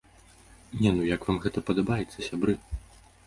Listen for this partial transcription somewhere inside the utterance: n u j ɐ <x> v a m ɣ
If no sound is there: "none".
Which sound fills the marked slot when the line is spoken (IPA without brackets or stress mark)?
k